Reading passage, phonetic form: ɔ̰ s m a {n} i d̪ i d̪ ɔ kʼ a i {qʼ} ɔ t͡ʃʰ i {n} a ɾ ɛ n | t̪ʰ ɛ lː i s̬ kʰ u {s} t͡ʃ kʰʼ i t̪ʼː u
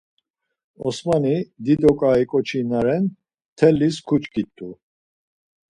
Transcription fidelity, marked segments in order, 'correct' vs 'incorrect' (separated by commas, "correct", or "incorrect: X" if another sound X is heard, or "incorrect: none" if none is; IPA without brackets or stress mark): correct, incorrect: kʼ, correct, incorrect: none